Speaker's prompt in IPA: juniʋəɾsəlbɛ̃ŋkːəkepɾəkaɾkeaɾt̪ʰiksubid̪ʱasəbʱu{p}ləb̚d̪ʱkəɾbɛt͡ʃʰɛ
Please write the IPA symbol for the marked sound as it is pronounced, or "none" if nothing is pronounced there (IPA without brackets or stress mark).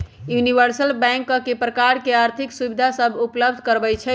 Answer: p